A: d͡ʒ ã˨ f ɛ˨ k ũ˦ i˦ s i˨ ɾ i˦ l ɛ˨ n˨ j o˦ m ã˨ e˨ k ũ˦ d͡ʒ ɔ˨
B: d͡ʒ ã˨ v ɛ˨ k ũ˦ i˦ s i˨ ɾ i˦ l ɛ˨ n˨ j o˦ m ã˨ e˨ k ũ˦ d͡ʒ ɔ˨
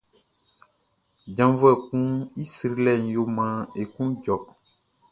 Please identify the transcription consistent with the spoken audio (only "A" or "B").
B